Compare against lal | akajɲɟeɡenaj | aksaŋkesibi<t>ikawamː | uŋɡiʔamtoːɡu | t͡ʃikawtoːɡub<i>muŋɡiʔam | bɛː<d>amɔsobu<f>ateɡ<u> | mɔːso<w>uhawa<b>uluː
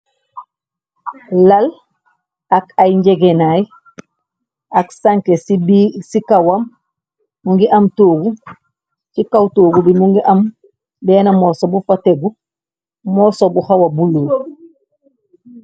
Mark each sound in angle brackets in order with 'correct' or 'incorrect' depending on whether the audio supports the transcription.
incorrect, correct, incorrect, correct, correct, incorrect, correct

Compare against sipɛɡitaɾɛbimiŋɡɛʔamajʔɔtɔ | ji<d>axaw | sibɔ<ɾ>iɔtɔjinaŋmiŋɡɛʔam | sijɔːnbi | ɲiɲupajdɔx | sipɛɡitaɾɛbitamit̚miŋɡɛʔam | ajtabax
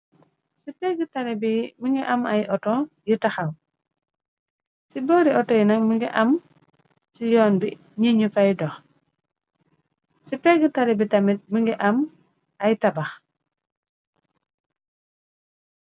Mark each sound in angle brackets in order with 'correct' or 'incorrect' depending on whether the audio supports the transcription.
incorrect, correct

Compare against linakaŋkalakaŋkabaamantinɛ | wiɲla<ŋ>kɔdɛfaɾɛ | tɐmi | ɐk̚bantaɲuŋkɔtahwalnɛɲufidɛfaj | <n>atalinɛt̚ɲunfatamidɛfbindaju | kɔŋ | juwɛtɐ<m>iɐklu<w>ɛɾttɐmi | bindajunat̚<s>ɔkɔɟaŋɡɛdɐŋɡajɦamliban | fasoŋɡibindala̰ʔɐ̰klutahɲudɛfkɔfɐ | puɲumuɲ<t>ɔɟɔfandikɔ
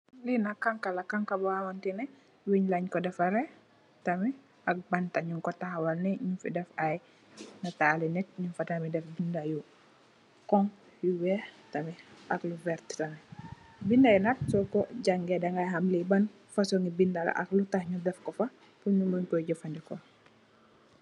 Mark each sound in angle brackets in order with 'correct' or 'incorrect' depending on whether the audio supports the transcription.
incorrect, correct, correct, incorrect, correct, incorrect

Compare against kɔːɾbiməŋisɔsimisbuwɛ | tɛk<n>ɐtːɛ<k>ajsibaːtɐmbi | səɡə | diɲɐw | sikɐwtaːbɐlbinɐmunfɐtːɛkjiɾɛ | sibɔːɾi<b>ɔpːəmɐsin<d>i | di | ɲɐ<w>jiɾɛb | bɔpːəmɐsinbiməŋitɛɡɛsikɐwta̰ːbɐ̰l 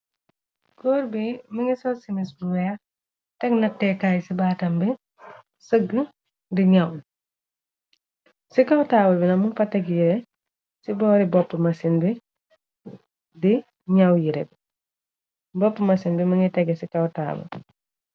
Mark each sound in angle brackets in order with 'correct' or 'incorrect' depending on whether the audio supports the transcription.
correct, correct, correct, incorrect, correct

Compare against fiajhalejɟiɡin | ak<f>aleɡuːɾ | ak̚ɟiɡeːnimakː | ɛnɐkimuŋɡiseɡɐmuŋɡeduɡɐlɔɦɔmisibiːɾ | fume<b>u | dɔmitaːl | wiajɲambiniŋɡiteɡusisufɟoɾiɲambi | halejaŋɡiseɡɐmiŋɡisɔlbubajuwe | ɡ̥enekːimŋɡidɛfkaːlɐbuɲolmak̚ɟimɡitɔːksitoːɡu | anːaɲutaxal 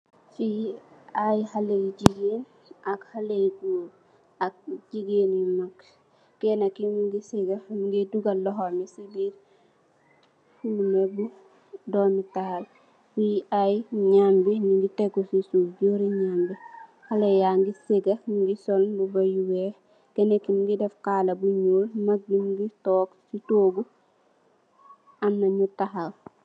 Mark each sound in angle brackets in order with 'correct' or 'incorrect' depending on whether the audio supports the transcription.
incorrect, correct

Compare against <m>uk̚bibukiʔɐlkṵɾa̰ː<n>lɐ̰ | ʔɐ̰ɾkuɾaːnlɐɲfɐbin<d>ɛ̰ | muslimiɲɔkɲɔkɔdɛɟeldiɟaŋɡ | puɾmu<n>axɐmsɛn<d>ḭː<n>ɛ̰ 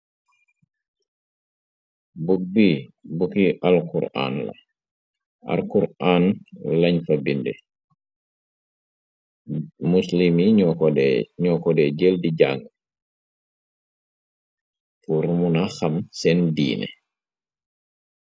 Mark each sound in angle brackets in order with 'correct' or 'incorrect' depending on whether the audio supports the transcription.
incorrect, correct, correct, correct, correct, correct

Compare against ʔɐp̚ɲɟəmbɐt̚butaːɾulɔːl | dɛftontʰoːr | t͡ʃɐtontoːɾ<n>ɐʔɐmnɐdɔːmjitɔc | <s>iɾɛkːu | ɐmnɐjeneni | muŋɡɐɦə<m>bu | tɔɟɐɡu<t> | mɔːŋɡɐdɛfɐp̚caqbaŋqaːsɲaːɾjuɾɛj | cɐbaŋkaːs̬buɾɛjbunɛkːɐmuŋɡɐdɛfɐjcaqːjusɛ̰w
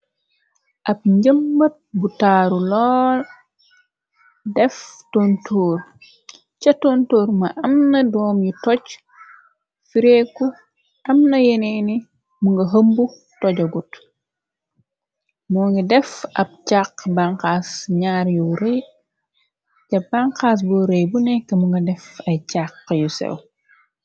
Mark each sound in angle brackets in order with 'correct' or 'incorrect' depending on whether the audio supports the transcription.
incorrect, incorrect, correct, correct

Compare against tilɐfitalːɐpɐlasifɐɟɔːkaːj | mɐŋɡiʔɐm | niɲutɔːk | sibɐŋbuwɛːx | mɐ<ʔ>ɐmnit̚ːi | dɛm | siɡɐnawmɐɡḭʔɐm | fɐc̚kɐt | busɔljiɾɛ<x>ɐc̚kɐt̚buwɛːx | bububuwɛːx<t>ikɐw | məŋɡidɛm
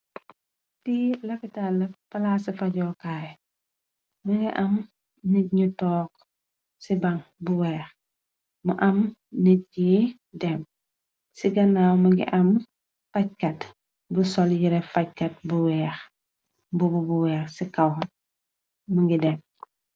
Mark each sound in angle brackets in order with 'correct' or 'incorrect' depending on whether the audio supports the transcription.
correct, incorrect, incorrect

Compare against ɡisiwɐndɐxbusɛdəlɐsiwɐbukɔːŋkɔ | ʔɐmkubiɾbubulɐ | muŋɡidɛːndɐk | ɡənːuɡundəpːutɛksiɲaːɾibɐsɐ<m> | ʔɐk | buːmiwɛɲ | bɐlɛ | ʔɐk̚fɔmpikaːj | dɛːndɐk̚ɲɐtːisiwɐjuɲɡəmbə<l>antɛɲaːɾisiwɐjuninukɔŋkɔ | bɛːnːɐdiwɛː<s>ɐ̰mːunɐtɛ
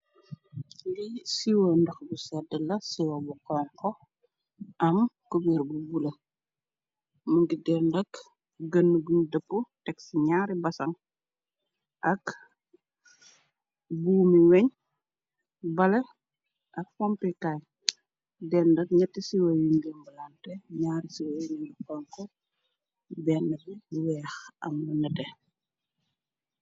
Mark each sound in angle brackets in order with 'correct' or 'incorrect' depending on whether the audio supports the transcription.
incorrect, correct, incorrect

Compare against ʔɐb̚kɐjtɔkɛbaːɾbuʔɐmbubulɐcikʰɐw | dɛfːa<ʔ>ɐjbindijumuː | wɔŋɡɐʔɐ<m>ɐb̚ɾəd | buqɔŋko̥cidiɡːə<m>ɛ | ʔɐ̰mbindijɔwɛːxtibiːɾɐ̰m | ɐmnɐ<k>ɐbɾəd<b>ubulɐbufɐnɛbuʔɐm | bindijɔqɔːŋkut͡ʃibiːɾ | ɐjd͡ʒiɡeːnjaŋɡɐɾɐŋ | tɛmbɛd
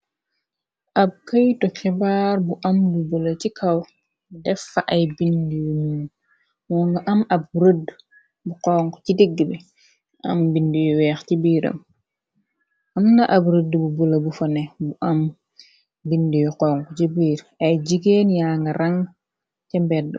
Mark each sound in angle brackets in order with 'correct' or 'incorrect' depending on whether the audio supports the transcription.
correct, correct, incorrect, incorrect, correct

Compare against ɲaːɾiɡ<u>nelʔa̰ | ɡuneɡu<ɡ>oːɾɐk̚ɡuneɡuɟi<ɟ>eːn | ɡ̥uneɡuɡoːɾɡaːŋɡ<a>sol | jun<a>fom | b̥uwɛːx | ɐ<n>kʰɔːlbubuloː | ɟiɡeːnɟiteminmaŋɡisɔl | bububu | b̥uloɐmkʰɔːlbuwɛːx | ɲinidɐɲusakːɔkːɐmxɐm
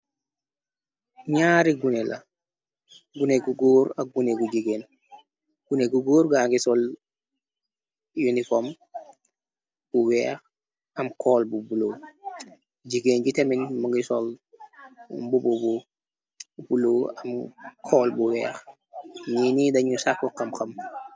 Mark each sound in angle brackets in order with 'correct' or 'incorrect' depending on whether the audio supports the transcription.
correct, correct, incorrect, incorrect, incorrect, incorrect

